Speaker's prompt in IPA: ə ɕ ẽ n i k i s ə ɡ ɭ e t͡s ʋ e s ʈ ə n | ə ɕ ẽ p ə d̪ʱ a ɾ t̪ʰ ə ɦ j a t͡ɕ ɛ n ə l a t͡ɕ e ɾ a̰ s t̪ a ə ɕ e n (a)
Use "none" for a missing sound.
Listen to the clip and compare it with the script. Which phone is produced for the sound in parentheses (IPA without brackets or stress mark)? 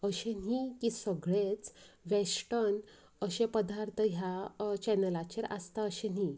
i